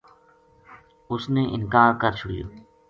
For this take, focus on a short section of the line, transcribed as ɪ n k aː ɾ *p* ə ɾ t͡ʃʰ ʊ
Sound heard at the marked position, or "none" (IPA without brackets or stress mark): k